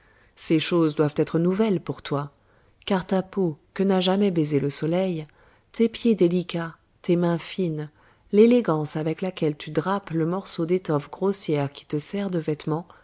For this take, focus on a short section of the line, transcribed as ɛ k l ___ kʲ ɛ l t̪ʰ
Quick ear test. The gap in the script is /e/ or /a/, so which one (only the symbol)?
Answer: a